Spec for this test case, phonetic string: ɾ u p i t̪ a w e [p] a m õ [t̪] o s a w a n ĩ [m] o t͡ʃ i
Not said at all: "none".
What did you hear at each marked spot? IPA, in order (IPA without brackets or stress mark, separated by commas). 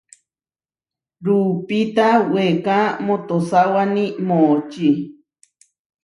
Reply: k, t̪, m